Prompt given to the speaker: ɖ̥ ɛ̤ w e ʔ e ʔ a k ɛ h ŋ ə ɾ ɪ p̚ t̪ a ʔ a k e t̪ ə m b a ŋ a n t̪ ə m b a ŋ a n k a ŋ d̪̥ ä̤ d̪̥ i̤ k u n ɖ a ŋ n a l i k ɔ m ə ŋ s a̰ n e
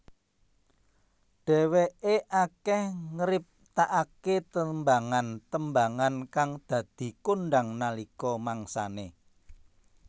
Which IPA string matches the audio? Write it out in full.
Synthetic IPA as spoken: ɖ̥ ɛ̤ w e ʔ e ʔ a k ɛ h ŋ ə ɾ ɪ p̚ t̪ a ʔ a k e t̪ ə m b a ŋ a n t̪ ə m b a ŋ a n k a ŋ d̪̥ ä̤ d̪̥ i̤ k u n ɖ a ŋ n a l i k ɔ m a ŋ s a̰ n e